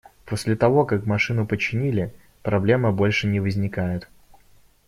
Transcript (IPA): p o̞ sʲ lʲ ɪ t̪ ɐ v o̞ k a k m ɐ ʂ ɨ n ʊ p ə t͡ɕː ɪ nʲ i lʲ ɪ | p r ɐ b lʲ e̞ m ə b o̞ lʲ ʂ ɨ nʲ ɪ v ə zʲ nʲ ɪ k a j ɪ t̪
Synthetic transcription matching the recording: p o̞ sʲ lʲ ɪ t̪ ɐ v o̞ k a k m ɐ ʂ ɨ n ʊ p ə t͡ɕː ɪ nʲ i lʲ ɪ | p ɾ ɐ b lʲ e̞ m ə b o̞ lʲ ʂ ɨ nʲ ɪ v ə zʲ nʲ ɪ k a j ɪ t̪

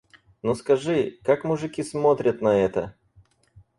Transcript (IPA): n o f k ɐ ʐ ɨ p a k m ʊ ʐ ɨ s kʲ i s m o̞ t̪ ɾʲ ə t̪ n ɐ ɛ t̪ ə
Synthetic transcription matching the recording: n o s k ɐ ʐ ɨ k a k m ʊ ʐ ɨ kʲ i s m o̞ t̪ ɾʲ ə t̪ n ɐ ɛ t̪ ə

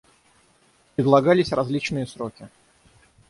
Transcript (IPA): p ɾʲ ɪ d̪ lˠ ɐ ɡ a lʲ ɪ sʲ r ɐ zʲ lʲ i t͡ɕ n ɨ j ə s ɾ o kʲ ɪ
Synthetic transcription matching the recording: p ɾʲ ɪ d̪ lˠ ɐ ɡ a lʲ ɪ sʲ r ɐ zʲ lʲ i t͡ɕ n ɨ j ə s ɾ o kʲ ɪ

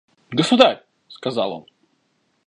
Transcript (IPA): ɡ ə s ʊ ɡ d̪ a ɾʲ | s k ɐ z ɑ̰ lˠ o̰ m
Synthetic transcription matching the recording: ɡ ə s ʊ d̪ a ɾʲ | s k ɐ z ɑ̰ lˠ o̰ n

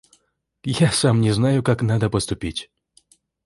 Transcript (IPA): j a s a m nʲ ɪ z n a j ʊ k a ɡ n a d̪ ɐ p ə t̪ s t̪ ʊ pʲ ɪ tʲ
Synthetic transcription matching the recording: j a s a m nʲ ɪ z n a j ʊ k a k n a d̪ ə p ə s t̪ ʊ pʲ i tʲ

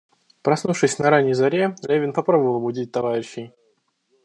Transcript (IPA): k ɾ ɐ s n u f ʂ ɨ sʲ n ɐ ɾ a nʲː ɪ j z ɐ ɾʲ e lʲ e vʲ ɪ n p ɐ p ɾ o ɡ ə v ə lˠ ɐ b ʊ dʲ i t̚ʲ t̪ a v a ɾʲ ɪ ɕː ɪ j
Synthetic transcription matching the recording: p ɾ ɐ s n u f ʂ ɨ sʲ n ɐ ɾ a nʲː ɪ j z ɐ ɾʲ e lʲ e vʲ ɪ n p ɐ p ɾ o b ə v ə lˠ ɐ b ʊ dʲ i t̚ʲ t̪ ɐ v a ɾʲ ɪ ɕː ɪ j

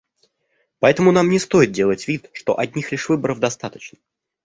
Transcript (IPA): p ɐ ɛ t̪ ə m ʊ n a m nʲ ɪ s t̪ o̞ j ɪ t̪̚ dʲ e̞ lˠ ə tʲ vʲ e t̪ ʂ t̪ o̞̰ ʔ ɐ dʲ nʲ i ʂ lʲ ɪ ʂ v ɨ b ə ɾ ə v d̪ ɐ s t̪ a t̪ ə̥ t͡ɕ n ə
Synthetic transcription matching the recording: p ɐ ɛ t̪ ə m ʊ n a m nʲ ɪ s t̪ o̞ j ɪ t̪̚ dʲ e̞ lˠ ə tʲ vʲ i t̪ ʂ t̪ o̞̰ ʔ ɐ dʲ nʲ i x lʲ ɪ ʂ v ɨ b ə ɾ ə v d̪ ɐ s t̪ a t̪ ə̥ t͡ɕ n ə

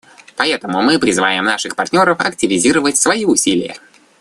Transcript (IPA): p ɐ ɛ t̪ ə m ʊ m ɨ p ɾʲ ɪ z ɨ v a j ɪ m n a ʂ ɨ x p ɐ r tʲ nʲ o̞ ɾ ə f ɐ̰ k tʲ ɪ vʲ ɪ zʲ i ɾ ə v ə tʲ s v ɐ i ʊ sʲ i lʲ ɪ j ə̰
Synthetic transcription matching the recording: p ɐ ɛ t̪ ə m ʊ m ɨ p ɾʲ ɪ z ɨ v a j ɪ m n a ʂ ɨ x p ɐ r tʲ nʲ o̞ ɾ ə f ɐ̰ k tʲ ɪ vʲ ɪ zʲ i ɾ ə v ə tʲ s v ɐ i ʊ sʲ i lʲ ɪ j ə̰

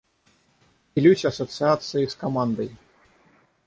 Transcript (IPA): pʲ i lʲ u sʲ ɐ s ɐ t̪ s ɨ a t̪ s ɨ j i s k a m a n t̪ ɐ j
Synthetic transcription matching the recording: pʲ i lʲ u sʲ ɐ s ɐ t̪ s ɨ a t̪ s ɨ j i s k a m a n d̪ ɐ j

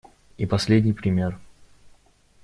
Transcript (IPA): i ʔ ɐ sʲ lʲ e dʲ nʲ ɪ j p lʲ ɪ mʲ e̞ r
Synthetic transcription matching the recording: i p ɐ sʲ lʲ e dʲ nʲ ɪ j p ɾʲ ɪ mʲ e̞ r

